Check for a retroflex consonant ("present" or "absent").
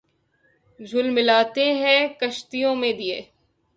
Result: absent